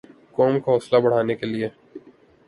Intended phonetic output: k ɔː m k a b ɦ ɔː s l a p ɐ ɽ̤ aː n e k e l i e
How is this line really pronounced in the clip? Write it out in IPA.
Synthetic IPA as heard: k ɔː m k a ɦ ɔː s l a b ɐ ɽ̤ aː n e k e l i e